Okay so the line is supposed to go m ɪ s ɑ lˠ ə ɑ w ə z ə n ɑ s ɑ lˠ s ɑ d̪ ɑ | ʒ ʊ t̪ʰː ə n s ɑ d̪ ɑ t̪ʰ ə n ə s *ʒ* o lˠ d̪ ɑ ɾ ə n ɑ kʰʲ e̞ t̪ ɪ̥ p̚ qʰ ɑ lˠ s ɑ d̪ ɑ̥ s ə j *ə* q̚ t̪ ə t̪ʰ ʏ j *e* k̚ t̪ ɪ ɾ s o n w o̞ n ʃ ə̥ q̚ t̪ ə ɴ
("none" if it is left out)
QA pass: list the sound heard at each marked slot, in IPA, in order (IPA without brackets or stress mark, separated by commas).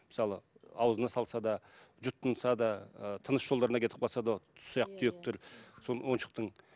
ʒ, ɑ, e